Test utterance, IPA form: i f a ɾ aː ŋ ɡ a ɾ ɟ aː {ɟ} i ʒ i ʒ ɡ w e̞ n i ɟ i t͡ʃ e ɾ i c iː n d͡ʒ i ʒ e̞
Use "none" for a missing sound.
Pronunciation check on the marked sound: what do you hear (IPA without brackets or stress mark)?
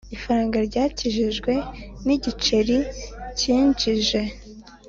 c